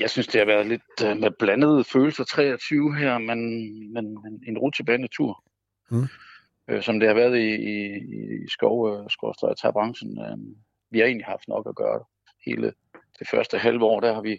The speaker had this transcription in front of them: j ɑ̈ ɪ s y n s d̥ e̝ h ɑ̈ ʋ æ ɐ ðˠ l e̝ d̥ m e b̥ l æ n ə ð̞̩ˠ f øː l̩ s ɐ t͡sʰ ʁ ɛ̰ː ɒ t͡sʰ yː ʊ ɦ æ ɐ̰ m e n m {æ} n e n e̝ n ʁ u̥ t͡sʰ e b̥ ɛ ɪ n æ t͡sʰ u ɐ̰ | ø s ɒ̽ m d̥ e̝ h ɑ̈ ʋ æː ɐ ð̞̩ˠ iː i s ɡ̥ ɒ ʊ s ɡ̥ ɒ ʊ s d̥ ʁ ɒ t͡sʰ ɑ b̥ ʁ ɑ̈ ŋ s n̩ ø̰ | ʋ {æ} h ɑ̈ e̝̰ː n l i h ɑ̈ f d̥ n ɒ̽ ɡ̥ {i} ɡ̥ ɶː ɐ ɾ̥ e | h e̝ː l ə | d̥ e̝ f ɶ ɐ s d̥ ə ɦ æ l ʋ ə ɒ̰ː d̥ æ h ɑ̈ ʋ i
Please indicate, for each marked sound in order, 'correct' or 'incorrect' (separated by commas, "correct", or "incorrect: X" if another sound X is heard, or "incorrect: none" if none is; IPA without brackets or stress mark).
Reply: incorrect: e, incorrect: i, incorrect: æ